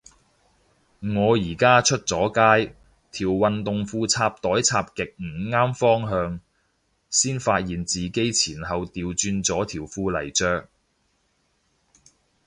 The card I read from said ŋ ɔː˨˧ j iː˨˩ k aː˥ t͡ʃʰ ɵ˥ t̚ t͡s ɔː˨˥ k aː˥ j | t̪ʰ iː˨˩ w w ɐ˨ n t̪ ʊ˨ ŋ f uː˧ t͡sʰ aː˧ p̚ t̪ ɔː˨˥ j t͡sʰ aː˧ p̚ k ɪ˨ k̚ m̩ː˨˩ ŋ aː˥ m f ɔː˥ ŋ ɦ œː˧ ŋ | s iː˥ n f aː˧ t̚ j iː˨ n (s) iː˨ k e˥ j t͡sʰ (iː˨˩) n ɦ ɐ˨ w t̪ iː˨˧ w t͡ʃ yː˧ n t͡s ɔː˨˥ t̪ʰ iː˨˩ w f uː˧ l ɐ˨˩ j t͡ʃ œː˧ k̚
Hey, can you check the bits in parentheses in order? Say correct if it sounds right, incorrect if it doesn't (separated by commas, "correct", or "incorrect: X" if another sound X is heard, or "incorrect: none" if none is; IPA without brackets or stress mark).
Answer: incorrect: t͡s, correct